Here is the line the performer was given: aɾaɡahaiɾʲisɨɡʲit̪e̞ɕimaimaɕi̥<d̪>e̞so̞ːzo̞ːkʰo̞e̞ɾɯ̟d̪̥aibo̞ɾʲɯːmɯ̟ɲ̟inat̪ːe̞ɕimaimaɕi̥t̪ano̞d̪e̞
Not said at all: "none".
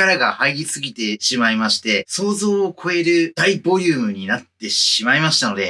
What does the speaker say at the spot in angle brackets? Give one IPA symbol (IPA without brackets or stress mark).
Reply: t̪